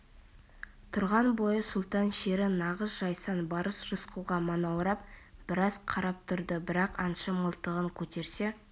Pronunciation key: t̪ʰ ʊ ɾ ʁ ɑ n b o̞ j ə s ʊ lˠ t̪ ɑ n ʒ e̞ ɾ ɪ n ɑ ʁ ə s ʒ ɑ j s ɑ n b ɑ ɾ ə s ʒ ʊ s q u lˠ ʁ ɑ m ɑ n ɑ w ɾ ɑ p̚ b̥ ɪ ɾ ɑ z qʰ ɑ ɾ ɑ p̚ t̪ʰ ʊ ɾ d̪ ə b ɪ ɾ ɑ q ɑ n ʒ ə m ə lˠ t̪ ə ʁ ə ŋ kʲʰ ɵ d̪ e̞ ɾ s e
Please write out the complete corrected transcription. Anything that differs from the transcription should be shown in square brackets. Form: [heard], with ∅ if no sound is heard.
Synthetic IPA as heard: t̪ʰ ʊ ɾ ʁ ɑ n b o̞ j ə s ʊ lˠ t̪ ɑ n [ʃ] e̞ ɾ ɪ n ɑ ʁ ə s ʒ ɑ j s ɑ n b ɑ ɾ ə s ʒ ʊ s q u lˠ ʁ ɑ m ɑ n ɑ w ɾ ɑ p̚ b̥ ɪ ɾ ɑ z qʰ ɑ ɾ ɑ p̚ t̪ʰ ʊ ɾ d̪ ə b ɪ ɾ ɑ q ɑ n [ʃ] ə m ə lˠ t̪ ə ʁ ə ŋ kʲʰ ɵ [t̪] e̞ ɾ s e